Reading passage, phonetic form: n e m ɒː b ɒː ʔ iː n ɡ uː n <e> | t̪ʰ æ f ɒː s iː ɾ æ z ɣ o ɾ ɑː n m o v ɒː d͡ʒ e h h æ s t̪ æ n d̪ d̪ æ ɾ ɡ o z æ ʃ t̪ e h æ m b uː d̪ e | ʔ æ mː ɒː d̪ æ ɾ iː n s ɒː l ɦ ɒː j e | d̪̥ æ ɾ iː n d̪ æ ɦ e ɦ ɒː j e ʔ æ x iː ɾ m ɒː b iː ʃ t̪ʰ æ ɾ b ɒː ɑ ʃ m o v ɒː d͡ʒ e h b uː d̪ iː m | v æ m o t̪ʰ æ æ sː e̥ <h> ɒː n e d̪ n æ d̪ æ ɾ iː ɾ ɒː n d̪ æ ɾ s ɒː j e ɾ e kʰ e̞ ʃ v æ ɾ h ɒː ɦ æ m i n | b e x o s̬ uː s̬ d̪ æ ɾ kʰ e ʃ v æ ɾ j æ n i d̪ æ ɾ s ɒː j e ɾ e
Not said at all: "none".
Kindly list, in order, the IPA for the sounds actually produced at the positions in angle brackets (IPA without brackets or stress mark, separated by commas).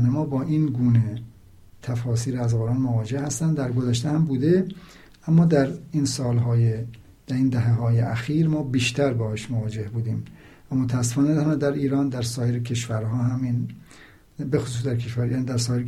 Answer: e, f